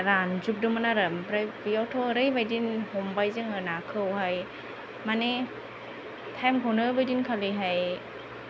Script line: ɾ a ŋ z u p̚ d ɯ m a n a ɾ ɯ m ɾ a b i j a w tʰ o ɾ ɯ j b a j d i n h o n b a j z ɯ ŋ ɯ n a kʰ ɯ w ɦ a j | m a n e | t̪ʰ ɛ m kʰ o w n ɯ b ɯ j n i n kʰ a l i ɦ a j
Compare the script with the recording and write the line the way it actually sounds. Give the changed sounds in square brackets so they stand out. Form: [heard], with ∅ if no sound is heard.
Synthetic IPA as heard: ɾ a [n] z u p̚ d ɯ m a n a ɾ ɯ m ɾ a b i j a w tʰ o ɾ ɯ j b a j d i n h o [m] b a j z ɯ ŋ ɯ n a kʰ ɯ w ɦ a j | m a n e | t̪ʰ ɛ m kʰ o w n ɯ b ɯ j [d] i n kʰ a l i ɦ a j